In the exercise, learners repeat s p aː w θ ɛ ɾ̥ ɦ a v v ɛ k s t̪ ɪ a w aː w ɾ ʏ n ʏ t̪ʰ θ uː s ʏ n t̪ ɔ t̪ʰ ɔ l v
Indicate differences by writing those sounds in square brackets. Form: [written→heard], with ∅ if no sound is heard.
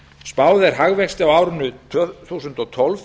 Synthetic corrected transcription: s p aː w [θ→ð] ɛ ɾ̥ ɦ a [v→ɣ] v ɛ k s t̪ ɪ a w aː w ɾ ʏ n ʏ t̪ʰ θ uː s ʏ n t̪ ɔ t̪ʰ ɔ l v